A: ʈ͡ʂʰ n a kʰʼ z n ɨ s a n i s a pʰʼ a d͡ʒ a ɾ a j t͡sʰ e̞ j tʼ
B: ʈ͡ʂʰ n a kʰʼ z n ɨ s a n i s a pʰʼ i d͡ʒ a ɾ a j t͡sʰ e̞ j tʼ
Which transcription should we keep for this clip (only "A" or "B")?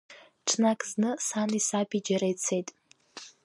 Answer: B